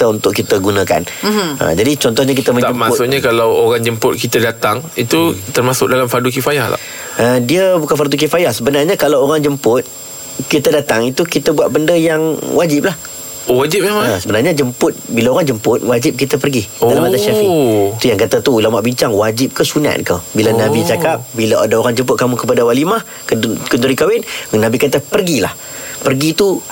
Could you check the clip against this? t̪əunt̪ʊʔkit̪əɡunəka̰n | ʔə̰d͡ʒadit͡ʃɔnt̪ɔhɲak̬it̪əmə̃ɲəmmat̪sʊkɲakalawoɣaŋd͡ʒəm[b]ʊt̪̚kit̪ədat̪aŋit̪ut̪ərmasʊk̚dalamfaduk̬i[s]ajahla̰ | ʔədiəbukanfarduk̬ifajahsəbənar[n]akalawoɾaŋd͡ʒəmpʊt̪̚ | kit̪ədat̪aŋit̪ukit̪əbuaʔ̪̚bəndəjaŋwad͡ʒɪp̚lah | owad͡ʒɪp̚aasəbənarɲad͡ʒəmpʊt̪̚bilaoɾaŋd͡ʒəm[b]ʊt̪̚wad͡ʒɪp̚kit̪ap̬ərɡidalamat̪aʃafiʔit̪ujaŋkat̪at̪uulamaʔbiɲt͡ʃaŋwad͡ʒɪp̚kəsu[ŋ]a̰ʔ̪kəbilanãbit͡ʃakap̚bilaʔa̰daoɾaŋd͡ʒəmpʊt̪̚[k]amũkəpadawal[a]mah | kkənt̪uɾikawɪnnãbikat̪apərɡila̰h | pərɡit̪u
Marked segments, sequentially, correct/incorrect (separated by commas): incorrect, incorrect, incorrect, incorrect, incorrect, correct, incorrect